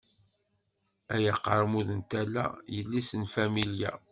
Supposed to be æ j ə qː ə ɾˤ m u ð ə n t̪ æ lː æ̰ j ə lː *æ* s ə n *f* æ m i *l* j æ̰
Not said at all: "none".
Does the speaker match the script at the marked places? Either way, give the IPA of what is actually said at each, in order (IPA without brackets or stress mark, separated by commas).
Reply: i, f, l